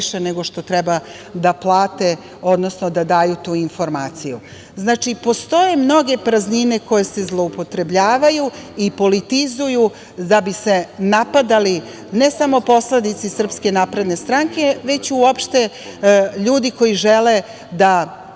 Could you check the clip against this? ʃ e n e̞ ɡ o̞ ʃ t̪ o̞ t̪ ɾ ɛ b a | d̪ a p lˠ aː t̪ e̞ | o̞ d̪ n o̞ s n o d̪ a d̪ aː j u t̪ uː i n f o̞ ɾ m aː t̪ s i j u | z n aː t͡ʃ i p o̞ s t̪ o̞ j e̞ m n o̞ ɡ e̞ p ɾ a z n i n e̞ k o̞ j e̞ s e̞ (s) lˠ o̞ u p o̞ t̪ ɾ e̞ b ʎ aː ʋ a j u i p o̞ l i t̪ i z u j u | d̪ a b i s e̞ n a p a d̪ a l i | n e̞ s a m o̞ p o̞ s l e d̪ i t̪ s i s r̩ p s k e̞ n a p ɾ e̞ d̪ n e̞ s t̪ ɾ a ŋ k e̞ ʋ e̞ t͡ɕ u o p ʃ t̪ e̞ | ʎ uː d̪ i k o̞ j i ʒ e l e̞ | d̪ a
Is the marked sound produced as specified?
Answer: no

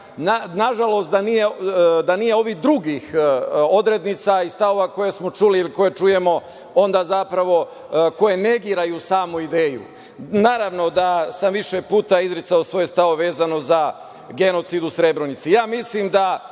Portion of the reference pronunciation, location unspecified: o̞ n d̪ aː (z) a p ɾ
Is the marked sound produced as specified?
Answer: yes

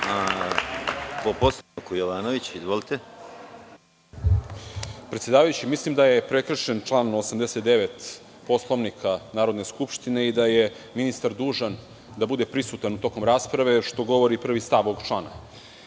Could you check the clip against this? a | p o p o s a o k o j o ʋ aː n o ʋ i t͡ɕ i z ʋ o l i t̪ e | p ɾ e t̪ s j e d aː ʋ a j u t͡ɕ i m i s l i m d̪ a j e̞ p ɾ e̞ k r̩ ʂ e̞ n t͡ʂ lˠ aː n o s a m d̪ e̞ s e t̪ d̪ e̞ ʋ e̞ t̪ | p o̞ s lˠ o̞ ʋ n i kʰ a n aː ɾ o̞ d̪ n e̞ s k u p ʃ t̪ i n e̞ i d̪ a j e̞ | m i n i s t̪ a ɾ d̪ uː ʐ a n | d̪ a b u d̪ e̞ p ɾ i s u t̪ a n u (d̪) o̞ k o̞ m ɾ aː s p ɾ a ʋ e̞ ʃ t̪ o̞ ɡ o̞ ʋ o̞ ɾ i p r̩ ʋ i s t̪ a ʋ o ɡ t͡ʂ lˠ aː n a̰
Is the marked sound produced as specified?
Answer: no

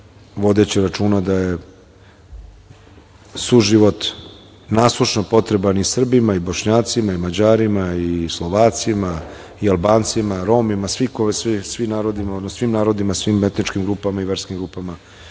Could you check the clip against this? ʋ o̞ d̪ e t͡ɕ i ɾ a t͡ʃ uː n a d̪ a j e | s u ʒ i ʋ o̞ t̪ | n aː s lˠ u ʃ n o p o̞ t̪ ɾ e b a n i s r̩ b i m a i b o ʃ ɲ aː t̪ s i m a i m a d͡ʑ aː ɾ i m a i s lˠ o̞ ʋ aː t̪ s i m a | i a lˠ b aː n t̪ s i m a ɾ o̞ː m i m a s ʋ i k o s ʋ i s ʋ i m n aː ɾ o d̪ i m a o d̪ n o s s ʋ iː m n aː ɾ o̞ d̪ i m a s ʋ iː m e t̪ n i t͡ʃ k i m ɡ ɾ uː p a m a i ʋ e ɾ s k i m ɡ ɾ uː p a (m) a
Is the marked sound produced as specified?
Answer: yes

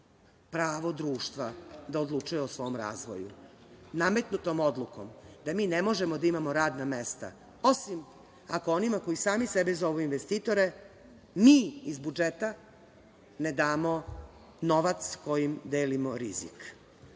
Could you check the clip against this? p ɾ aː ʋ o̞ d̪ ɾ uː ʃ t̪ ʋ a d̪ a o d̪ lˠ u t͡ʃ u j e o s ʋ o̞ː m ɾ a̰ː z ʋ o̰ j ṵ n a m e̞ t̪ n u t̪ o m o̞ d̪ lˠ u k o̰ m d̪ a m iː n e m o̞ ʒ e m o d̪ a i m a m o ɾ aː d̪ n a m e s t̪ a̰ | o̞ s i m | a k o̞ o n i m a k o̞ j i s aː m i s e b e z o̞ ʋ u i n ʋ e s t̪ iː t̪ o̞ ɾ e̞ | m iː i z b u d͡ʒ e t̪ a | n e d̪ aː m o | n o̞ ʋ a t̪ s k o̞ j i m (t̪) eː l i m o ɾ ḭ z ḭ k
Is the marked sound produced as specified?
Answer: no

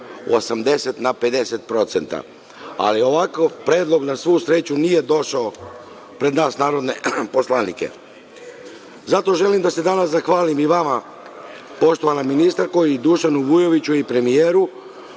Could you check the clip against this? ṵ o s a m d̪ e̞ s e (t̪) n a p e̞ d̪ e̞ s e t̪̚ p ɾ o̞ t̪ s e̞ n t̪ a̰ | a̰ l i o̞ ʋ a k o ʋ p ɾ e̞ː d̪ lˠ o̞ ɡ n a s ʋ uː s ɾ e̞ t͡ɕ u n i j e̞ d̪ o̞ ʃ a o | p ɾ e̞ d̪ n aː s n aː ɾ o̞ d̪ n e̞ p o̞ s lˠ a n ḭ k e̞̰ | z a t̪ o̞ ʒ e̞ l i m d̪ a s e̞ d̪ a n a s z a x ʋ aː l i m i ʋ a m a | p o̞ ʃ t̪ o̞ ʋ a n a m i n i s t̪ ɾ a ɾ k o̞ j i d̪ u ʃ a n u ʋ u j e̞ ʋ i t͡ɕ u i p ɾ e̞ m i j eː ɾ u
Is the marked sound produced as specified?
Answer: yes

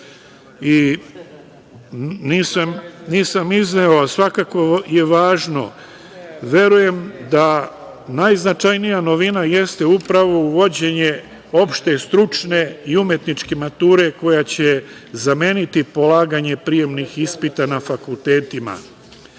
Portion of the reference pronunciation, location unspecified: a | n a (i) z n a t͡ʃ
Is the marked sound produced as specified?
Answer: no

